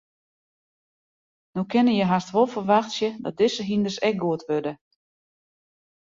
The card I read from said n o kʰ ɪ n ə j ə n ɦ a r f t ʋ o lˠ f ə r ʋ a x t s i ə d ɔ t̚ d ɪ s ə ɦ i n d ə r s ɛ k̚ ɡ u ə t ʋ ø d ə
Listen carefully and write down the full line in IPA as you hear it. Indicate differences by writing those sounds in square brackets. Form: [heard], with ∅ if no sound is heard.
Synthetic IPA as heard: n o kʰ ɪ n ə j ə [∅] ɦ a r [s] t ʋ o lˠ f ə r ʋ a x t s [j] ə d ɔ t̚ d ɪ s ə ɦ i n d ə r s ɛ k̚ ɡ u ə t ʋ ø d ə